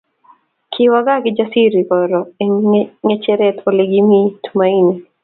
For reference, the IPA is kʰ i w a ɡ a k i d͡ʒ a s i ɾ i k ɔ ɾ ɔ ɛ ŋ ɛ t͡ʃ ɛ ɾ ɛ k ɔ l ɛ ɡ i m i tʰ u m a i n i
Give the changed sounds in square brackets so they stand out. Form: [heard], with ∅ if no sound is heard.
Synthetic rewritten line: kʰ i w a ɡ a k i d͡ʒ a s i ɾ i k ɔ ɾ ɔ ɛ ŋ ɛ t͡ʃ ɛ ɾ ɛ [t] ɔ l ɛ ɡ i m i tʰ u m a i n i